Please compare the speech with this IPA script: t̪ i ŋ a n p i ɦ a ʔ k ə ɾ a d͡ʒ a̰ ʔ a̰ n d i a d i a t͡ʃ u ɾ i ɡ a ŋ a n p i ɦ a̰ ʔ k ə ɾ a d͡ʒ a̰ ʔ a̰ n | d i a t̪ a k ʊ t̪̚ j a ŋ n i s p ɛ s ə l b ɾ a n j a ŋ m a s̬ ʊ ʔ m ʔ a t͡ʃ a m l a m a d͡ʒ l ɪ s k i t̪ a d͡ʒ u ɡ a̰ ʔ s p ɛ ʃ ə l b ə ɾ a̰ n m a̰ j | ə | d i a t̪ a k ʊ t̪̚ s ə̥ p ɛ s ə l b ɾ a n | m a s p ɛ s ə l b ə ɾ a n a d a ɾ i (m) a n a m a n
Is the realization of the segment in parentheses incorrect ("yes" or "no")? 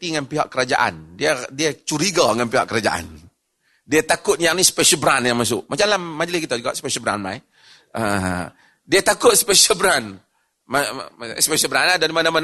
no